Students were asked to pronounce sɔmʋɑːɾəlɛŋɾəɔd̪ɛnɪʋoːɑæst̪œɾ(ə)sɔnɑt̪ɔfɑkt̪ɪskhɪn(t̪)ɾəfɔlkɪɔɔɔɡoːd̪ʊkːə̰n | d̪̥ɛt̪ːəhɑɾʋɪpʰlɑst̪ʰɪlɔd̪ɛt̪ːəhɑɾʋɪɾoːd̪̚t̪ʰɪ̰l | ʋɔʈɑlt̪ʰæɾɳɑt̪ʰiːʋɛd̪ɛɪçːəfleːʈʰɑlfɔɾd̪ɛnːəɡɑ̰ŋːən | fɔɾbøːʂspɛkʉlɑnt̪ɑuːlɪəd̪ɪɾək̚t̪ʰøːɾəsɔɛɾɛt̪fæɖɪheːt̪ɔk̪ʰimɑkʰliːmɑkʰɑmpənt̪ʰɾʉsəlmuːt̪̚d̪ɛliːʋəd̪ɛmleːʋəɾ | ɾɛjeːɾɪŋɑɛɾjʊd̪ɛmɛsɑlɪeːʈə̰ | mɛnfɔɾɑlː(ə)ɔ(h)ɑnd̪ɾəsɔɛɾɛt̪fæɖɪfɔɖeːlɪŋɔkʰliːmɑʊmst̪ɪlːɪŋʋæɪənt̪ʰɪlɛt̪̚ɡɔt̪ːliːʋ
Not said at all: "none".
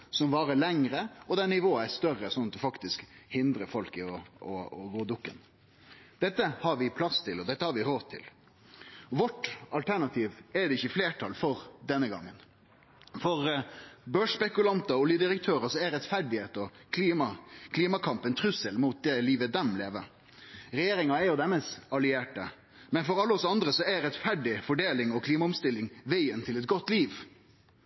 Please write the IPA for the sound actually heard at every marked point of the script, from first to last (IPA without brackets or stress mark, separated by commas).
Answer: ə, d̪, ə, s